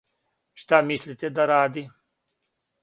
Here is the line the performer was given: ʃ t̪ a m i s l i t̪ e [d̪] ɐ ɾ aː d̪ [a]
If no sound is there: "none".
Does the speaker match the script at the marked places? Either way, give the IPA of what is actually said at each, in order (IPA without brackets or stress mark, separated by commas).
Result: d̪, i